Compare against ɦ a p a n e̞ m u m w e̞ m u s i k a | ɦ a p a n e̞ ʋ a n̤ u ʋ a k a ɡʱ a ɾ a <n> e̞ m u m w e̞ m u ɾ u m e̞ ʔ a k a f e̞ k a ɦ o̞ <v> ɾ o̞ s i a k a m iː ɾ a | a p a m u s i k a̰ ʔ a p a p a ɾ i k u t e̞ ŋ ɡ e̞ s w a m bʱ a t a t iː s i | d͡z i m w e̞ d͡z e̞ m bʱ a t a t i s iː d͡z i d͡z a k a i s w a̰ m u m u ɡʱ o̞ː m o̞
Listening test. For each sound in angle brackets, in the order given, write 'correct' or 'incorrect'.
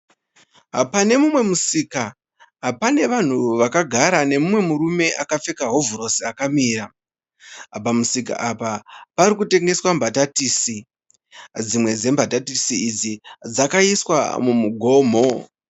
correct, correct

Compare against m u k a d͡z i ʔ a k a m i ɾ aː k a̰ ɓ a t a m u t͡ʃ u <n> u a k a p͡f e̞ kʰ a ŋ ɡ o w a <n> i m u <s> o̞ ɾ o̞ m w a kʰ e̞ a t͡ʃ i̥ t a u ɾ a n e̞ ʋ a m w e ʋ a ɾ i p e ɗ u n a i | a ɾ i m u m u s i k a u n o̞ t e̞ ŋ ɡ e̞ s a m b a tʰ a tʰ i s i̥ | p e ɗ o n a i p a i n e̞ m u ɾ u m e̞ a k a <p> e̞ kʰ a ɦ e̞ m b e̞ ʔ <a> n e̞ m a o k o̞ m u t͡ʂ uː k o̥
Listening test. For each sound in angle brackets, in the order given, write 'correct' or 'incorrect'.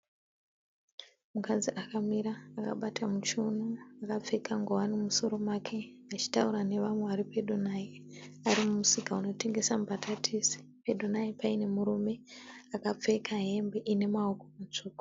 correct, correct, correct, incorrect, incorrect

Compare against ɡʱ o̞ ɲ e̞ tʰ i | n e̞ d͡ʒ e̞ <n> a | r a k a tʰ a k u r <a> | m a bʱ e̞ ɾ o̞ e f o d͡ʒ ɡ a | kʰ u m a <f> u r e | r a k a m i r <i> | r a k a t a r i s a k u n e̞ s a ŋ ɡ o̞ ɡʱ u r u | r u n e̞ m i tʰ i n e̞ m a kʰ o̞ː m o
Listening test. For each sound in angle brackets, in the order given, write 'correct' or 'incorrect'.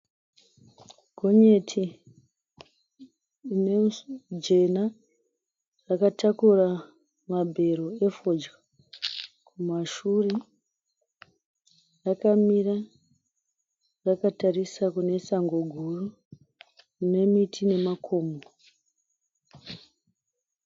correct, correct, incorrect, incorrect

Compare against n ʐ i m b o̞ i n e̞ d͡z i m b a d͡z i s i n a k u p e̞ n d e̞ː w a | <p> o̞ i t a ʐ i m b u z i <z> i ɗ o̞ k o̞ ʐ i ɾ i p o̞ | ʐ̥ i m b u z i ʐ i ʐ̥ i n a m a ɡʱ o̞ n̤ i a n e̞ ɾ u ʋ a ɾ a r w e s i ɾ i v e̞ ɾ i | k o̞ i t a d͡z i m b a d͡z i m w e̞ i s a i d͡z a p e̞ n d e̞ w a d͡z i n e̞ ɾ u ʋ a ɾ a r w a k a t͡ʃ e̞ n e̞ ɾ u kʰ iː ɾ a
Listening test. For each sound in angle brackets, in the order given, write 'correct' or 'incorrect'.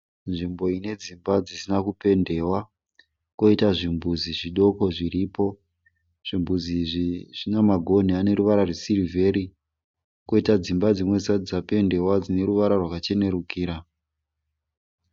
incorrect, incorrect

